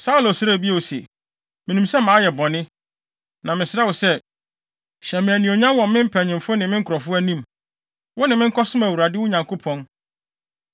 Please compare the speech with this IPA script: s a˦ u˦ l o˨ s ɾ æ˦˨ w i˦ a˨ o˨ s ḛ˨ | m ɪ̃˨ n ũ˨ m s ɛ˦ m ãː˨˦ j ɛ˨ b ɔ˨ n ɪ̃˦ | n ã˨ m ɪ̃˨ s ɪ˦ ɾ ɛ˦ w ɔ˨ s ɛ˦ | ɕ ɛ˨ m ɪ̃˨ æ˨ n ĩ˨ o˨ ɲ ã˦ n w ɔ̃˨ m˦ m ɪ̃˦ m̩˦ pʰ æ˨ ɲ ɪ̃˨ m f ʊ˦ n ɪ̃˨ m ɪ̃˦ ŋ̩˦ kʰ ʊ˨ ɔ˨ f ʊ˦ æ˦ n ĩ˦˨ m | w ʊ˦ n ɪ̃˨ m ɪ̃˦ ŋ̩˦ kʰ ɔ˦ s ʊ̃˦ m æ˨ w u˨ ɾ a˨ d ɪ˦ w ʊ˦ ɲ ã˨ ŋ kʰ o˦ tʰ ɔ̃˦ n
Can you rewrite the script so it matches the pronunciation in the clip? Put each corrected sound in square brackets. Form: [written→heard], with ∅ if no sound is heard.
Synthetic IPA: s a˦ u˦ l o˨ s ɾ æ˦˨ [w→b] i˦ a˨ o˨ s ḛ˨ | m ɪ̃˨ n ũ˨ m s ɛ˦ m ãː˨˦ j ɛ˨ b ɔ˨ n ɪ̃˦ | n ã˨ m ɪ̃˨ s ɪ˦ ɾ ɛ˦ w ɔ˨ s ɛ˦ | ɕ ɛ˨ m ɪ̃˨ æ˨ n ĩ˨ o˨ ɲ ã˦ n w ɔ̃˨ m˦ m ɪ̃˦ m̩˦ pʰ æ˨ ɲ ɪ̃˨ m f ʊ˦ n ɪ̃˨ m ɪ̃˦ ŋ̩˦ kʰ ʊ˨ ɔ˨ f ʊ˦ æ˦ n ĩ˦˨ m | w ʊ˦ n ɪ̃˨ m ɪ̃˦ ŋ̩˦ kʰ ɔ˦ s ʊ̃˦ m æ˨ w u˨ ɾ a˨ d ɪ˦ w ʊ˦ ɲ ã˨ ŋ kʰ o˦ [tʰ→pʰ] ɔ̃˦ n